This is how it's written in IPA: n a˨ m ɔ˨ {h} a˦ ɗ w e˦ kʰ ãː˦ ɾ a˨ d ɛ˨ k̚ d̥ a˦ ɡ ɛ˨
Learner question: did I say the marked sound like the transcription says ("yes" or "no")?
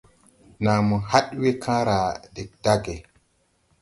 yes